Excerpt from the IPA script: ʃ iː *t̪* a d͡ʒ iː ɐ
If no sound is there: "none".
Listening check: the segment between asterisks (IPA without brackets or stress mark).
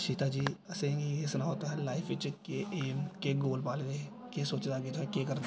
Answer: t̪